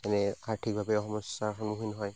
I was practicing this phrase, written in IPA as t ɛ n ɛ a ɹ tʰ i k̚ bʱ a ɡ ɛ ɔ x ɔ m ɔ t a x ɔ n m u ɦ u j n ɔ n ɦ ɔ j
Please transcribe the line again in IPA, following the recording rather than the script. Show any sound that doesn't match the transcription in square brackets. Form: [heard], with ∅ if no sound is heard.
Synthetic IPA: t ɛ n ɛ a ɹ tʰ i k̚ bʱ a [b] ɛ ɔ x ɔ m ɔ [s] a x ɔ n m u ɦ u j n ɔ [∅] ɦ ɔ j